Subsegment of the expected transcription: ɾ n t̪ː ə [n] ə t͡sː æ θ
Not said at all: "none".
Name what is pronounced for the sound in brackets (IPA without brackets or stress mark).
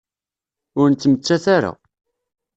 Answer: m